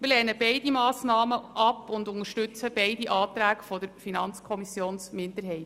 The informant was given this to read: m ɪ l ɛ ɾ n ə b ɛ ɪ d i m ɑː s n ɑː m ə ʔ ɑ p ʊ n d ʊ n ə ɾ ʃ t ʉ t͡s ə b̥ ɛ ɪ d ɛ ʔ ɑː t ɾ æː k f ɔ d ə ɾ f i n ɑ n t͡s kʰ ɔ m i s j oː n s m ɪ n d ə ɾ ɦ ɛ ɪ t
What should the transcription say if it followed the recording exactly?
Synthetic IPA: m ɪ l ɛ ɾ n ə b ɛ ɪ d i m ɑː s n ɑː m ə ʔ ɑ p ʊ n d ʊ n ə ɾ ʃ t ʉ t͡s ə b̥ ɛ ɪ d i ʔ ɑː t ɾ æː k f ɔ d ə ɾ f i n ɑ n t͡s kʰ ɔ m i s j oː n s m ɪ n d ə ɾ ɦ ɛ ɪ t